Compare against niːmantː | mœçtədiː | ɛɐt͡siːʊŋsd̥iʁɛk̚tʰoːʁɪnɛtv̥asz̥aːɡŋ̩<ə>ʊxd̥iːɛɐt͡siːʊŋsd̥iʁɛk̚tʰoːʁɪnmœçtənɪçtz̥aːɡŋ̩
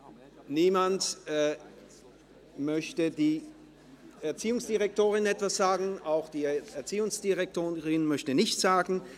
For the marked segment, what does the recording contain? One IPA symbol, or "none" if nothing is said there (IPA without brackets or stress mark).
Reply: a